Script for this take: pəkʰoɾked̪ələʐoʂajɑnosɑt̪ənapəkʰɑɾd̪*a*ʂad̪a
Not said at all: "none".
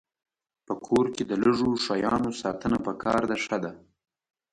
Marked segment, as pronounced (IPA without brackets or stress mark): a